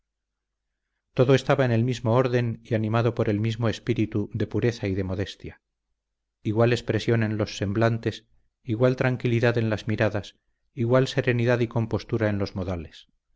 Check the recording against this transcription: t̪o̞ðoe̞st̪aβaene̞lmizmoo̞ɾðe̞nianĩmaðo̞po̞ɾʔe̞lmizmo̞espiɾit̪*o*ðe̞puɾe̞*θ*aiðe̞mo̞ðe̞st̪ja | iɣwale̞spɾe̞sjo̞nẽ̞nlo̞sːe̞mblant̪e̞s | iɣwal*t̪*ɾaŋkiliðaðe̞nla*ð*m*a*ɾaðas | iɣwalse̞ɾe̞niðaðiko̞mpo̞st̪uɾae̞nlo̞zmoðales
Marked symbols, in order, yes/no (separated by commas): no, yes, yes, no, no